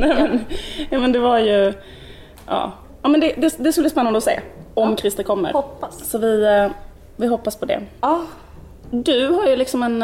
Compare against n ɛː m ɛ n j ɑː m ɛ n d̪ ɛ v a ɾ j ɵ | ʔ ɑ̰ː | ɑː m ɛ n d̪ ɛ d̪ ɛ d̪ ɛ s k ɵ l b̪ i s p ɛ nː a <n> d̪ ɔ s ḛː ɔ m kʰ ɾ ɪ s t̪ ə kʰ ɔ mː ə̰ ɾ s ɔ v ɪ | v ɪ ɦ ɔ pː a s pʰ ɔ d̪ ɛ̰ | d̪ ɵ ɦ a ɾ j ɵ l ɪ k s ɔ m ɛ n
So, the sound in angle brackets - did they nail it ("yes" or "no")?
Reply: yes